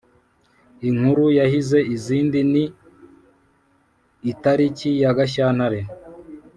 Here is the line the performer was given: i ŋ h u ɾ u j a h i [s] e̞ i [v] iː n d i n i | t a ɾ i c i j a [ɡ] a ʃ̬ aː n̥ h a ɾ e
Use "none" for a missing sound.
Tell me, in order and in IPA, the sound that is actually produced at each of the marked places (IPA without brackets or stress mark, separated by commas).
z, z, ɡ